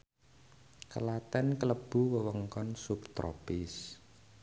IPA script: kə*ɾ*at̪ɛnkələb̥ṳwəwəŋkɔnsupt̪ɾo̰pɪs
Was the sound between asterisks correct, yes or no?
no